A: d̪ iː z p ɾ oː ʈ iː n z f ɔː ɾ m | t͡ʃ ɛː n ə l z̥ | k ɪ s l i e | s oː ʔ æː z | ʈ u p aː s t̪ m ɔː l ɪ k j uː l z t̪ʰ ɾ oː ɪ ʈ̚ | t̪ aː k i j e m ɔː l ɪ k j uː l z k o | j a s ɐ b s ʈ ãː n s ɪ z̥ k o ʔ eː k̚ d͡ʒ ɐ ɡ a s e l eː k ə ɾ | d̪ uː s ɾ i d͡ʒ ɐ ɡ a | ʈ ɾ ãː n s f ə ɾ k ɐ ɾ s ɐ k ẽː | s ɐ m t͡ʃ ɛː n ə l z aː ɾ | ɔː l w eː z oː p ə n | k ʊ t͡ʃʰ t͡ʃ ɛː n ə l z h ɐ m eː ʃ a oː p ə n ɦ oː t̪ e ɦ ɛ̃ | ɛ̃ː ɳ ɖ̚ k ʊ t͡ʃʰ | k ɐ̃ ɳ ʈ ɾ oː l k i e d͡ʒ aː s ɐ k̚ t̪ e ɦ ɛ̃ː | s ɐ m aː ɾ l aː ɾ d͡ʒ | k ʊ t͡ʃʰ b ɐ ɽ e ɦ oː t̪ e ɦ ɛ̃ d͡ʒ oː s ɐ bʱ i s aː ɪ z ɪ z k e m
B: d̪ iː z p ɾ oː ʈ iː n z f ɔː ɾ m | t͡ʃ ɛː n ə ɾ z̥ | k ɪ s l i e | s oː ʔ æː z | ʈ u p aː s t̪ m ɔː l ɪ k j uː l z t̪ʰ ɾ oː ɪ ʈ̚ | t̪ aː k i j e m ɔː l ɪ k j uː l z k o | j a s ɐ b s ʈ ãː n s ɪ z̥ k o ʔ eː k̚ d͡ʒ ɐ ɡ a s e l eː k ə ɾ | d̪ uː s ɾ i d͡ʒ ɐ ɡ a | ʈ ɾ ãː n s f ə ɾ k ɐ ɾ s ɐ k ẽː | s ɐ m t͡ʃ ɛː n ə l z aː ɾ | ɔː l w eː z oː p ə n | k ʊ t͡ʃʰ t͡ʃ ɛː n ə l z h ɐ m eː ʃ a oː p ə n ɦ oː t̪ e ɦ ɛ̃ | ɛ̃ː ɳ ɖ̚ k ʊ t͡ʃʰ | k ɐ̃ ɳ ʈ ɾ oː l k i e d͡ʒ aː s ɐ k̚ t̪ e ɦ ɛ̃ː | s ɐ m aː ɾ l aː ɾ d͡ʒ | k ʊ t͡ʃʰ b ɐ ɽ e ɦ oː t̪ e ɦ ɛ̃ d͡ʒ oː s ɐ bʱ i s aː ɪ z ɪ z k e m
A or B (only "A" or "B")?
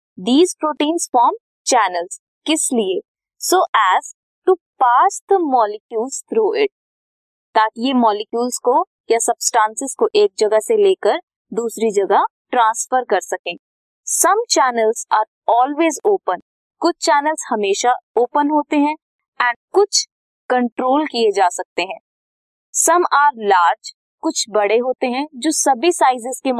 A